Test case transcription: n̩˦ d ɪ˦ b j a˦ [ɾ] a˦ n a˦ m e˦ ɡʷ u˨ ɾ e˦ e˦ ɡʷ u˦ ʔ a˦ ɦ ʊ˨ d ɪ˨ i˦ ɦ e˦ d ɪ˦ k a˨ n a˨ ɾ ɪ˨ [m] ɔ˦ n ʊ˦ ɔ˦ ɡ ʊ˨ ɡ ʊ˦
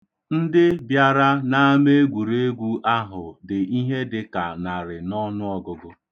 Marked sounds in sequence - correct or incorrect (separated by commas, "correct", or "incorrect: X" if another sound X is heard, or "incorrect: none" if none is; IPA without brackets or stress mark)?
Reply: correct, incorrect: n